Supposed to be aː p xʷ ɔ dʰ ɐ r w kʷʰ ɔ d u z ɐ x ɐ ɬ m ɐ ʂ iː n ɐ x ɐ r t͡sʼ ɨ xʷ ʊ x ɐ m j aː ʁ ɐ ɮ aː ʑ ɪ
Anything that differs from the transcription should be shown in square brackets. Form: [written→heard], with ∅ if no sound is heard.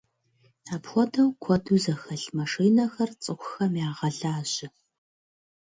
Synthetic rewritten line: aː p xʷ ɔ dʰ ɐ [r→∅] w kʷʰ ɔ d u z ɐ x ɐ ɬ m ɐ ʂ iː n ɐ x ɐ r t͡sʼ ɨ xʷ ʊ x ɐ m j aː ʁ ɐ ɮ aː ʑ ɪ